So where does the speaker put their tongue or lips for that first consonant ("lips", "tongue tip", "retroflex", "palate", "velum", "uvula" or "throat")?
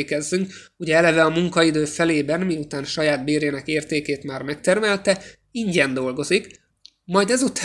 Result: velum